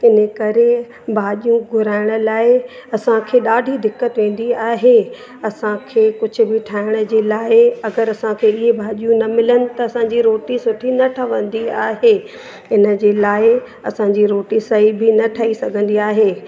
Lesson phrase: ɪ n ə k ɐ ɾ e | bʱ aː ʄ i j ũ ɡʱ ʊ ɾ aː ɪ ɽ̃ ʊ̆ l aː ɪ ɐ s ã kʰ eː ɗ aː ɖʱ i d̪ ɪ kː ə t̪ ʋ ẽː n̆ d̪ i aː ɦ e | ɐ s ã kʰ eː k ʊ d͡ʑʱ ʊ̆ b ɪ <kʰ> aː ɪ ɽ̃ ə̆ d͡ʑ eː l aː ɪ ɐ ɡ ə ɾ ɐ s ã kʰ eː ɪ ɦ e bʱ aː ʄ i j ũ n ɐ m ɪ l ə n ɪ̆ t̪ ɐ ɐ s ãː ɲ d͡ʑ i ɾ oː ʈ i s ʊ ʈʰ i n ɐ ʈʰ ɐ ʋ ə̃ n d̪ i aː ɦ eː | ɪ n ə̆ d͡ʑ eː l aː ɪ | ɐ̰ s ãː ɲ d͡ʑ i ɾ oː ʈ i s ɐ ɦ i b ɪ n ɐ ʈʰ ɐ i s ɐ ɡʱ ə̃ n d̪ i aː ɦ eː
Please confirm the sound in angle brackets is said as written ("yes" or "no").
no